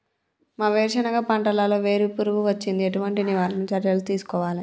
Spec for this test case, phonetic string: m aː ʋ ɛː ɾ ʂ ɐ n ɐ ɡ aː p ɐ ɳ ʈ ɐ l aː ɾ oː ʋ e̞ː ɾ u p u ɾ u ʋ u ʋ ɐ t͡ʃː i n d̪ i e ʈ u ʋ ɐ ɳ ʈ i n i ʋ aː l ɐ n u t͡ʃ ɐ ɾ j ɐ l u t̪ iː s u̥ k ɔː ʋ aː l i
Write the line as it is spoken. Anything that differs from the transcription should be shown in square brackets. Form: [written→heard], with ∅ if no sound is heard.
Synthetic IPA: m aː ʋ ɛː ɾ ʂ ɐ n ɐ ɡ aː p ɐ ɳ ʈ ɐ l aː [ɾ→l] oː ʋ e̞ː ɾ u p u ɾ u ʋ u ʋ ɐ t͡ʃː i n d̪ i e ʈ u ʋ ɐ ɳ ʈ i n i ʋ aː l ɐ n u t͡ʃ ɐ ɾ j ɐ l u t̪ iː s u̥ k ɔː ʋ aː l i